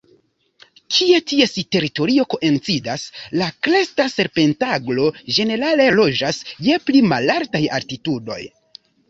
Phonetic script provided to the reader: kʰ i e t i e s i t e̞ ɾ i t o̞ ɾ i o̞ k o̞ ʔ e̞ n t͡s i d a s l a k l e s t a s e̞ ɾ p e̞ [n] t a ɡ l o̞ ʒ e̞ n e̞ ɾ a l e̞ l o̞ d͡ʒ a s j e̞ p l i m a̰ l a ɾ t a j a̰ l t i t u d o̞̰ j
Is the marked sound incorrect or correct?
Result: correct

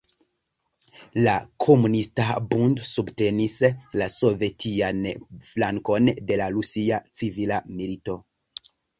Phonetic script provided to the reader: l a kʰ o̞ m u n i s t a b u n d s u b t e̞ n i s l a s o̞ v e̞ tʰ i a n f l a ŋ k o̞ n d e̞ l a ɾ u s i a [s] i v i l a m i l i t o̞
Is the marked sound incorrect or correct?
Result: incorrect: t͡s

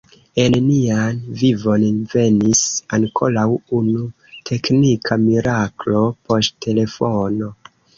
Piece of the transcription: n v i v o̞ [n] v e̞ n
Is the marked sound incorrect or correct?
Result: correct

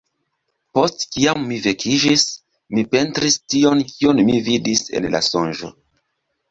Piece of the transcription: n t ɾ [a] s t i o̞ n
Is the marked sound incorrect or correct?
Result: incorrect: i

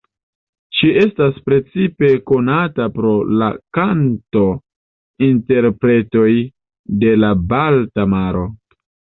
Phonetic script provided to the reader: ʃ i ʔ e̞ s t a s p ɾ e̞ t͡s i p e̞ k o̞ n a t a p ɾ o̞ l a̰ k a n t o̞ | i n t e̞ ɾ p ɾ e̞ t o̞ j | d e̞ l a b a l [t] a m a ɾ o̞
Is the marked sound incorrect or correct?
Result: correct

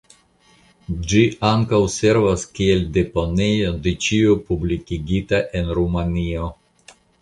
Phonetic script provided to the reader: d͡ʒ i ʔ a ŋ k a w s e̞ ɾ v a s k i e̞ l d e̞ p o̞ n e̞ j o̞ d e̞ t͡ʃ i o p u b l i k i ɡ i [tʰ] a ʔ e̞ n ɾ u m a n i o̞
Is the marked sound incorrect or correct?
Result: incorrect: t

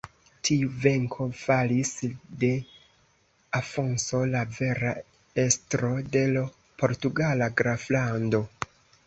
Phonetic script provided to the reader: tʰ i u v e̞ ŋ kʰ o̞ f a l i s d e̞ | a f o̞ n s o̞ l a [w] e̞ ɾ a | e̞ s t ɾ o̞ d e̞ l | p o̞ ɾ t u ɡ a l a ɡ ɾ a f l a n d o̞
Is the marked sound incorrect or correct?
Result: incorrect: v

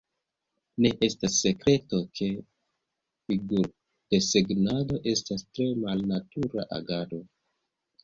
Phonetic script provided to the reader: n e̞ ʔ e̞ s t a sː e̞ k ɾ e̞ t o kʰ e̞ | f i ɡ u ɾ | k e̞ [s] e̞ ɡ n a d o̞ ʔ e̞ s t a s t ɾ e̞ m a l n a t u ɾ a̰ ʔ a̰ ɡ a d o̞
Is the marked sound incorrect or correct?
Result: correct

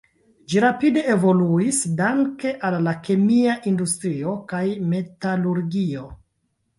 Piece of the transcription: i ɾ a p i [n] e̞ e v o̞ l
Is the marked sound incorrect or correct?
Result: incorrect: d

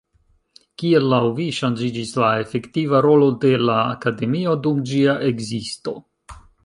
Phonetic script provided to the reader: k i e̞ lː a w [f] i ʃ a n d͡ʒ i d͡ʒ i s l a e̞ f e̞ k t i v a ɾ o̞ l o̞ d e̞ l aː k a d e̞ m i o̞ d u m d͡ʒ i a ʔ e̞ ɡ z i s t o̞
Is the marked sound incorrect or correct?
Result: incorrect: v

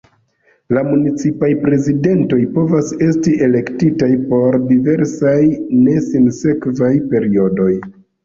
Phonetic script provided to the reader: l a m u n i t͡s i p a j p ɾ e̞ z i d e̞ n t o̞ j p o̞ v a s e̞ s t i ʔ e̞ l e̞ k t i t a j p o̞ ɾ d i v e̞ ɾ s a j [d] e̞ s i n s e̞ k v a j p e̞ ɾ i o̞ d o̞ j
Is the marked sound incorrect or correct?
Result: incorrect: n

